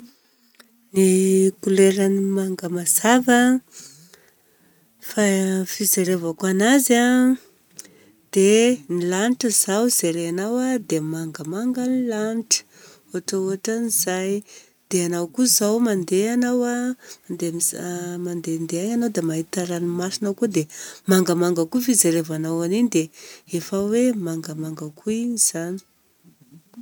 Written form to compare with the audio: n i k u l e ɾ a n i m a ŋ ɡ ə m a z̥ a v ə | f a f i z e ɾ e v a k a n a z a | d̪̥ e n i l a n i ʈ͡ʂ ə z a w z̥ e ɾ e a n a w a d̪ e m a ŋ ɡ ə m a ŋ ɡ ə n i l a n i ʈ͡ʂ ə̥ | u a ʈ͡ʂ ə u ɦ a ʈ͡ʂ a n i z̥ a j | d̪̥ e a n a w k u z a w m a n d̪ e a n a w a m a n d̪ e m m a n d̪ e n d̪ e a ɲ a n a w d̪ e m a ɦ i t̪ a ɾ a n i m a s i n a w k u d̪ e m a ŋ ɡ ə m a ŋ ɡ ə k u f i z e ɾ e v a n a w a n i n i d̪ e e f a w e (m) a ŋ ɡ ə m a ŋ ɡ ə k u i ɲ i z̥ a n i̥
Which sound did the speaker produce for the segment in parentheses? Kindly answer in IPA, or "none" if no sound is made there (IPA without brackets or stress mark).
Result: m